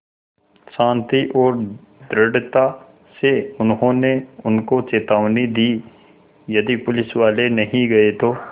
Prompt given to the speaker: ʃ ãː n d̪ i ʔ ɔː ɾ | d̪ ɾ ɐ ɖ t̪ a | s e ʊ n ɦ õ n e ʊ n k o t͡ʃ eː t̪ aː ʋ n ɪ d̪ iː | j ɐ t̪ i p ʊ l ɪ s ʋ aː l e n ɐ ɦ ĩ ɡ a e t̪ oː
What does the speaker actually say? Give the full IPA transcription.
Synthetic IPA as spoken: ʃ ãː n t̪ i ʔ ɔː ɾ | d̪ ɾ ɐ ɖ t̪ a | s e ʊ n ɦ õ n e ʊ n k o t͡ʃ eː t̪ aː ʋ n i d̪ iː | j ɐ d̪ i p ʊ l ɪ s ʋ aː l e n ɐ ɦ ĩ ɡ ɐ e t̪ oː

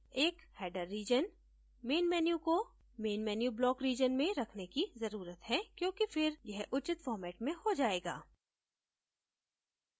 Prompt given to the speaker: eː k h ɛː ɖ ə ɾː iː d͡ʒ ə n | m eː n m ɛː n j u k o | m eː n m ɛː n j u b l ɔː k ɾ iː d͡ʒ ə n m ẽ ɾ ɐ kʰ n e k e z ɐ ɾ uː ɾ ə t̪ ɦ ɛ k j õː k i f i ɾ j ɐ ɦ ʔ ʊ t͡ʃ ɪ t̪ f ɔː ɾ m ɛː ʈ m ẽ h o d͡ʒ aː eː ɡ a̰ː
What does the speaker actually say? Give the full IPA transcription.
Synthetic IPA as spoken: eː k h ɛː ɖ ə ɾː iː d͡ʒ ə n | m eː n m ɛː n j u k o | m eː n m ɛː n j u b l ɔː k ɾ iː d͡ʒ ə n m ẽ ɾ ɐ kʰ n e k i z ɐ ɾ uː ɾ ə t̪ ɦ ɛ k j õː k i f ɪ ɾ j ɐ ɦ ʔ ʊ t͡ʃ ɪ t̪ f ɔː ɾ m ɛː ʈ m ẽ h o d͡ʒ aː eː ɡ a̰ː

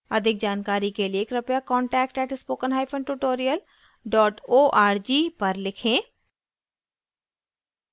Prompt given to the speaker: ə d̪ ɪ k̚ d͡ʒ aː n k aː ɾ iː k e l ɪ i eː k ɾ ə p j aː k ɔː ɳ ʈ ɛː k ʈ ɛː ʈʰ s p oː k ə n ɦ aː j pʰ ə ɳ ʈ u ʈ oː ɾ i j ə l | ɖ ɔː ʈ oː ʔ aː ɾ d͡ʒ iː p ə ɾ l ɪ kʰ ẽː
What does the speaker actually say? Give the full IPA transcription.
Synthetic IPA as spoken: ə d̪ ɪ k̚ d͡ʒ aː n k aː ɾ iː k e l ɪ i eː k ɾ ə p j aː k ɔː ɳ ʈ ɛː k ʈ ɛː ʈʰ s p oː k ə n ɦ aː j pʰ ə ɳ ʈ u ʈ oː ɾ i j ə l | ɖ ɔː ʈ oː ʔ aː ɾ d͡ʒ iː p ə ɾ l ɪ kʰ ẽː

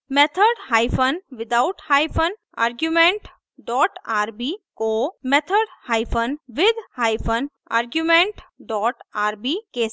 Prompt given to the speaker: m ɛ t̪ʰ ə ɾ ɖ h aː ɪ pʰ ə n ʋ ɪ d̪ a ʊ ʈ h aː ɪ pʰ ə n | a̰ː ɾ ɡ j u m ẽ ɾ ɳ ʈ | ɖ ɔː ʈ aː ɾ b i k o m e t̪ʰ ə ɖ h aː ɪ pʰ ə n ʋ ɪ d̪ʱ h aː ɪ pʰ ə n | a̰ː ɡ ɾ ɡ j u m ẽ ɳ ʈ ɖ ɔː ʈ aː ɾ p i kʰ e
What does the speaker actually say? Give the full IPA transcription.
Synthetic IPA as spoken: m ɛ t̪ʰ ə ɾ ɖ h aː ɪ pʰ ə n ʋ ɪ d̪ a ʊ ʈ h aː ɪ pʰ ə n | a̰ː ɾ ɡ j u m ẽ ɳ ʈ | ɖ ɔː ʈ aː ɾ b i k o m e t̪ʰ ə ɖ h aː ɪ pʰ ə n ʋ ɪ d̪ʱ h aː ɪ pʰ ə n | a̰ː ɾ ɡ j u m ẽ ɳ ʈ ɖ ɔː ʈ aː ɾ b i k e

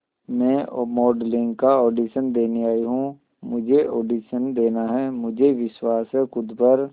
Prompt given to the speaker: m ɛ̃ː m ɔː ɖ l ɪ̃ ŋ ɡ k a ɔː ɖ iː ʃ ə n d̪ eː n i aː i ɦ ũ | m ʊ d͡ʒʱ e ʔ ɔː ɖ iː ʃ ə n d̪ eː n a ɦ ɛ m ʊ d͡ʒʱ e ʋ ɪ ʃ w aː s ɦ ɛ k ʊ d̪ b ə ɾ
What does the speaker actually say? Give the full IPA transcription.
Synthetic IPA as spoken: m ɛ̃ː m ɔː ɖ l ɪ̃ ŋ ɡ k a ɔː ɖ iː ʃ ə n d̪ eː n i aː i ɦ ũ | m ʊ d͡ʒʱ e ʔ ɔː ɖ iː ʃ ə n d̪ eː n a ɦ ɛ m ʊ d͡ʒʱ e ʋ ɪ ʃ w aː s ɦ ɛ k ʊ d̪ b ə ɾ

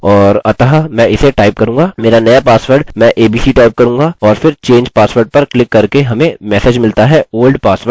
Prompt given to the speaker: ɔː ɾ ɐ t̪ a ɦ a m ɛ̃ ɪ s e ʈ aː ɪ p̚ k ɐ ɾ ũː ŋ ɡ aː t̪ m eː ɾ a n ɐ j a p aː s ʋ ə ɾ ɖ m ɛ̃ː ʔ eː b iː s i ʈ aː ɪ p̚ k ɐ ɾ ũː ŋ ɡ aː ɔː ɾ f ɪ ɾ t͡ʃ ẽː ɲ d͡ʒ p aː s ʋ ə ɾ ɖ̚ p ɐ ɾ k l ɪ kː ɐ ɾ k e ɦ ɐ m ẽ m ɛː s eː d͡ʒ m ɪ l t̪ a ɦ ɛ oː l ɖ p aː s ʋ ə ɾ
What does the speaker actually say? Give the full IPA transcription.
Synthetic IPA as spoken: ɔː ɾ ɐ t̪ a ɦ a m ɛ̃ ɪ s e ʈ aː ɪ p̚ k ɐ ɾ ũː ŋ ɡ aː m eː ɾ a n ɐ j a p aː s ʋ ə ɾ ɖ m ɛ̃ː ʔ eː b iː s i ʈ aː ɪ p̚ k ɐ ɾ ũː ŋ ɡ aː ɔː ɾ f ɪ ɾ t͡ʃ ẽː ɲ d͡ʒ p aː s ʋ ə ɾ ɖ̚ p ɐ ɾ k l ɪ kː ɐ ɾ k e ɦ ɐ m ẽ m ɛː s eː d͡ʒ m ɪ l t̪ a ɦ ɛ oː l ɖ p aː s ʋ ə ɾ

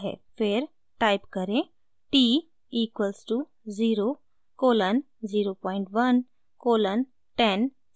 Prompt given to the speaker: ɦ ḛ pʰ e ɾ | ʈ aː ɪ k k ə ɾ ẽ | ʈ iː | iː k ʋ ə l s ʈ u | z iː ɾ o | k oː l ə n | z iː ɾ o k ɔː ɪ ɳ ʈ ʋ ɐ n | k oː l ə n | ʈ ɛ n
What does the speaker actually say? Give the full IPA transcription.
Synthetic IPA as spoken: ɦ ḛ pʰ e ɾ | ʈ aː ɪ p k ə ɾ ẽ | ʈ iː | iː k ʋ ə l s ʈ u | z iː ɾ o | k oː l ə n | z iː ɾ o p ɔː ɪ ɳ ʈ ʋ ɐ n | k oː l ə n | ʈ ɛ n

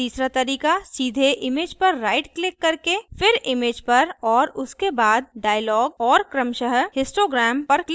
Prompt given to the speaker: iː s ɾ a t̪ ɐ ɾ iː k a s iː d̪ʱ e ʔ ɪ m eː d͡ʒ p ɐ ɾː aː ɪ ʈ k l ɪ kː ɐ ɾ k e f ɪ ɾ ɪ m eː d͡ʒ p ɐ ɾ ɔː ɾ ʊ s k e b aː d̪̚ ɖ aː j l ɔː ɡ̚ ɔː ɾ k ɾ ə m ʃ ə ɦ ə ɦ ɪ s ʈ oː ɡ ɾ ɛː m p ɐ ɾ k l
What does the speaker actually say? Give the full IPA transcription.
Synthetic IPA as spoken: iː s ɾ a t̪ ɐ ɾ iː k a s iː d̪ʱ e ʔ ɪ m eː d͡ʒ p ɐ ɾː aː ɪ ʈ k l ɪ kː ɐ ɾ k e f ɪ ɾ ɪ m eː d͡ʒ p ɐ ɾ ɔː ɾ ʊ s k e b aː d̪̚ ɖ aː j l ɔː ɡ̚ ɔː ɾ k ɾ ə m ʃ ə ɦ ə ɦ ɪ s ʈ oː ɡ ɾ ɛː m p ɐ ɾ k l

